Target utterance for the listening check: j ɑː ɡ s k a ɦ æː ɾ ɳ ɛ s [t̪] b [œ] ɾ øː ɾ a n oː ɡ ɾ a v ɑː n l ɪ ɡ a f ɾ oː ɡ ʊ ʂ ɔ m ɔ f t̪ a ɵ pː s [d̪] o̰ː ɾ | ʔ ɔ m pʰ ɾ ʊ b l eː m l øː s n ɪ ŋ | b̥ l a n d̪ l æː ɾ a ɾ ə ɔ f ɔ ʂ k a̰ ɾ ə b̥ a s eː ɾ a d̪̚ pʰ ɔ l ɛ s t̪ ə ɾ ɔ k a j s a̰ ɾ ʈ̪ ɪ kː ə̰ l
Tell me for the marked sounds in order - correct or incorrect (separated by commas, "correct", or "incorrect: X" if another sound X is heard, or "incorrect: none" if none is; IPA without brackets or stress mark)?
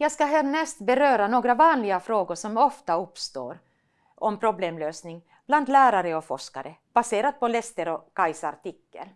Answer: correct, incorrect: ɛ, incorrect: t̪